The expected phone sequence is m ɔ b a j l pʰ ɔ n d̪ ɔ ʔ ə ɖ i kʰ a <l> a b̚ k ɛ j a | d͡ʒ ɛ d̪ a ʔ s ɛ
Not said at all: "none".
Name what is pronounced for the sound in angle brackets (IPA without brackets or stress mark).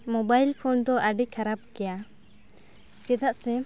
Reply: ɾ